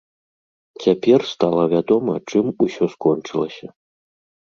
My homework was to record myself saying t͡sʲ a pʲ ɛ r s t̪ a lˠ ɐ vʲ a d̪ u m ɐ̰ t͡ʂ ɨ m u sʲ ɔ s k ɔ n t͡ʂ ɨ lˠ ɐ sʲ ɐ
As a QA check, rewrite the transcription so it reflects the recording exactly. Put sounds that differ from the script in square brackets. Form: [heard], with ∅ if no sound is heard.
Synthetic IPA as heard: t͡sʲ a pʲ ɛ r s t̪ a lˠ ɐ vʲ a d̪ [ɔ] m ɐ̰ t͡ʂ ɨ m u sʲ ɔ s k ɔ n t͡ʂ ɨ lˠ ɐ sʲ ɐ